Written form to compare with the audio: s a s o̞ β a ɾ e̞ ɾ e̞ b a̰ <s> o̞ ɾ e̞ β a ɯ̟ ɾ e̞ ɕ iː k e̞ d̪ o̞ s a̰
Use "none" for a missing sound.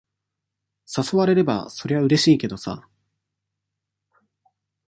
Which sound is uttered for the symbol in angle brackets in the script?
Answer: s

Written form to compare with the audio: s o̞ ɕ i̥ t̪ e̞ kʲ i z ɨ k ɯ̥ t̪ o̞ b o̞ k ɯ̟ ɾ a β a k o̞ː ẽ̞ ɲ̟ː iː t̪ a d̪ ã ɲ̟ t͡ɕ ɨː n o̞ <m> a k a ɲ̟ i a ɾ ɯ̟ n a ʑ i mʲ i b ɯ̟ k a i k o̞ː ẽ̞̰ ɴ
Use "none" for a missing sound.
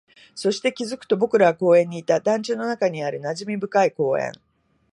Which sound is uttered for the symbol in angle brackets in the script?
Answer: n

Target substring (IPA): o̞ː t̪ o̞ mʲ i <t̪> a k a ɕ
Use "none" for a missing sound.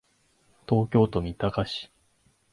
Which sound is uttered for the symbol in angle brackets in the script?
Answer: t̪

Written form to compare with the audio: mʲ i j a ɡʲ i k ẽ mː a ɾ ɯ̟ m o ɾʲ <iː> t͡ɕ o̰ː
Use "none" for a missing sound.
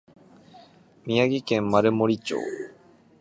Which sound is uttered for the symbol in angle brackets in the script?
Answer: i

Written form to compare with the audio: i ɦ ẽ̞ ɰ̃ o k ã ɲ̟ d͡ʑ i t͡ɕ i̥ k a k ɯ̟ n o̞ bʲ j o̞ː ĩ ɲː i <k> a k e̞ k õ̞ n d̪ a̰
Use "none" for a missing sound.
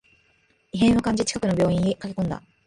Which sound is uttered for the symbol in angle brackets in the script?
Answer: k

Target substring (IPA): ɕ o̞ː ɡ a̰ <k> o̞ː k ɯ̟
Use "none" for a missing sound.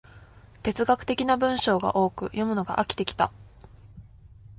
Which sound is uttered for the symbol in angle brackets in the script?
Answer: ʔ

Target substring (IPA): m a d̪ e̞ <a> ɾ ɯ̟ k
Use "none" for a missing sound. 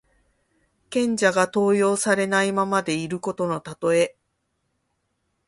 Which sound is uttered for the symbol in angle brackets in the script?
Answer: i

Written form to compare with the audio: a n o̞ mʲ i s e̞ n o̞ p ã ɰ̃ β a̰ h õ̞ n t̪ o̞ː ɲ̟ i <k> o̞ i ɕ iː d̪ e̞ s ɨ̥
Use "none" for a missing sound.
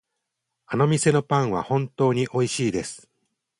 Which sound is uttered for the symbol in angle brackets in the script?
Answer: ʔ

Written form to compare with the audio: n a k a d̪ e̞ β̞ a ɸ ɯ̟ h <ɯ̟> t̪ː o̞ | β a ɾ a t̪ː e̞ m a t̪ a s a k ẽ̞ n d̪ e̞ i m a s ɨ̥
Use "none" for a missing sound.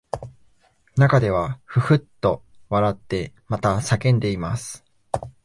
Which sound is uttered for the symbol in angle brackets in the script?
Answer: ɯ̟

